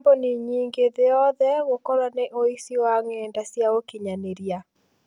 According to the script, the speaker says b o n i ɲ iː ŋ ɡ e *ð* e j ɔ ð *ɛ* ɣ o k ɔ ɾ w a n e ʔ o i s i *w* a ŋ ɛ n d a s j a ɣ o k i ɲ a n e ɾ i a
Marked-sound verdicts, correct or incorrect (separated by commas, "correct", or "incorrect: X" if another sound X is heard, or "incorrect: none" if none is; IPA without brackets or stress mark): correct, correct, correct